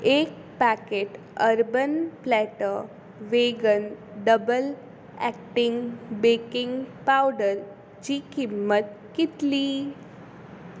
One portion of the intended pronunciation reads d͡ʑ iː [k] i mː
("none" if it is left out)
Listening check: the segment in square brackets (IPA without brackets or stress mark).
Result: k